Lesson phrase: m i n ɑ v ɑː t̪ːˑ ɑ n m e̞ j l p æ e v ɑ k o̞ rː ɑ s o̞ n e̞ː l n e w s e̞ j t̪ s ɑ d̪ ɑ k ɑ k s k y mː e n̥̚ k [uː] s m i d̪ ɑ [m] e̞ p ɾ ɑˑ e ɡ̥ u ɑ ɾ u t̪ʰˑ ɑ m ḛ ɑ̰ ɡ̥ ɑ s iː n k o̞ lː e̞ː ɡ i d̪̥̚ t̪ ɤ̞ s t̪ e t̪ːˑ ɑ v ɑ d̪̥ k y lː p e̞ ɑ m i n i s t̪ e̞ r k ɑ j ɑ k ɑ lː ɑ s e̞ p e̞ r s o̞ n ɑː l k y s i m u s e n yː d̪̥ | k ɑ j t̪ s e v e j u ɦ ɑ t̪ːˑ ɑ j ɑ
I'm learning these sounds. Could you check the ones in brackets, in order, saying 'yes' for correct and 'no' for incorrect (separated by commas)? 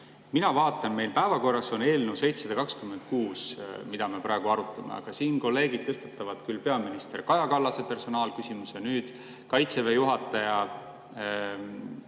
yes, yes